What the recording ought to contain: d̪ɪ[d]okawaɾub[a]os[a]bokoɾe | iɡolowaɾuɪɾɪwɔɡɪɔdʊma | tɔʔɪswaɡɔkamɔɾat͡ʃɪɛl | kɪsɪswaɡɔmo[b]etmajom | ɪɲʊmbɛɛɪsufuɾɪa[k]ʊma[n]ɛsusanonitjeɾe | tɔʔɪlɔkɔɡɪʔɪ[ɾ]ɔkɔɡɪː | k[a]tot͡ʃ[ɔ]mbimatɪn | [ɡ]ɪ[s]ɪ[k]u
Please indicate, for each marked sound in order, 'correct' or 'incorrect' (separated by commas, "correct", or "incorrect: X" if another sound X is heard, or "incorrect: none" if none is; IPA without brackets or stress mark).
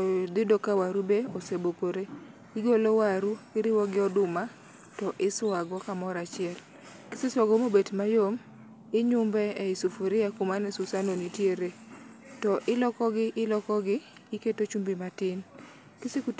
correct, incorrect: e, incorrect: e, correct, correct, correct, incorrect: l, incorrect: e, incorrect: u, incorrect: k, correct, correct